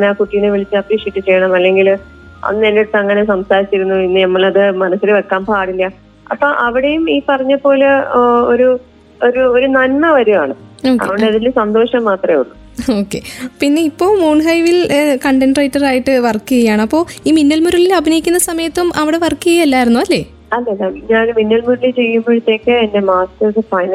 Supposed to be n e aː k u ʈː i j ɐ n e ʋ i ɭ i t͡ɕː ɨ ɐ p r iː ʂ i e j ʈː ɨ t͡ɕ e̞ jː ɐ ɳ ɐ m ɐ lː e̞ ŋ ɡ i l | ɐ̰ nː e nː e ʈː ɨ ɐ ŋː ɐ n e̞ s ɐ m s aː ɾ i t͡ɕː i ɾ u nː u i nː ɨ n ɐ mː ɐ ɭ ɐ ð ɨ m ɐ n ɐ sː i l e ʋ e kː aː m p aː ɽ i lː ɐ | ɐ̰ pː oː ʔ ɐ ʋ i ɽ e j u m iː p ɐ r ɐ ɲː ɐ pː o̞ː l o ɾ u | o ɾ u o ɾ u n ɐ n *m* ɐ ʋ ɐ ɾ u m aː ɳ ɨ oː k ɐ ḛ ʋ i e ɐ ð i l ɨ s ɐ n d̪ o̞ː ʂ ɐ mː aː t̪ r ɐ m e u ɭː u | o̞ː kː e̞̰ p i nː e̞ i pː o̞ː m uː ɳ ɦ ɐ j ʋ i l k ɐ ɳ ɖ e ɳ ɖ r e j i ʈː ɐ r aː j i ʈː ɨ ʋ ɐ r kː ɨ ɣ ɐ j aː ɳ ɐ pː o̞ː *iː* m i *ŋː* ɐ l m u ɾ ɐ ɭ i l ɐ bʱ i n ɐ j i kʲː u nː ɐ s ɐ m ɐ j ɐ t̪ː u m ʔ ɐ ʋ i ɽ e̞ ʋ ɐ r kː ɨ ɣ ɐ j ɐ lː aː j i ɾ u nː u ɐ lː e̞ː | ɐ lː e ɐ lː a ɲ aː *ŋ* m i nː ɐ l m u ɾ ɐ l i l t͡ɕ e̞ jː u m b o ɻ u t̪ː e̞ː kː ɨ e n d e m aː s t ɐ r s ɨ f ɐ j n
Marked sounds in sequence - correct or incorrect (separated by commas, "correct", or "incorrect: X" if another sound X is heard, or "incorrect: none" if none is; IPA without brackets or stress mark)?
correct, correct, incorrect: nː, incorrect: n